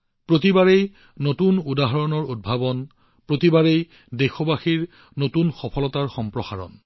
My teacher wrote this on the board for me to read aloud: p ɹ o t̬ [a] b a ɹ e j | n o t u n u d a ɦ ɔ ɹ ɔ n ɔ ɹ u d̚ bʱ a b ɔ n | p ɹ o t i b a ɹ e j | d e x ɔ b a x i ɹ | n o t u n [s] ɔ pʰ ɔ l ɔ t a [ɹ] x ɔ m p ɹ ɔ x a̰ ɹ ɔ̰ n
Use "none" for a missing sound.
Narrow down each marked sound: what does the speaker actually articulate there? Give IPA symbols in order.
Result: i, x, ɹ

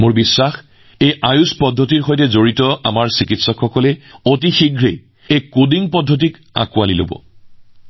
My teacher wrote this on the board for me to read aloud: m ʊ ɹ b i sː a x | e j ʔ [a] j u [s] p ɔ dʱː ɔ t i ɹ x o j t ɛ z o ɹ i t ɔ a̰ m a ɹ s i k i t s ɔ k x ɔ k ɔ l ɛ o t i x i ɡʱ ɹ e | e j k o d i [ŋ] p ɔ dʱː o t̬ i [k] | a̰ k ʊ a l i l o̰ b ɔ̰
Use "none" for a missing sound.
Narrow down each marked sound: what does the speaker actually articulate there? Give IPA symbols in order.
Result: a, s, ŋ, k

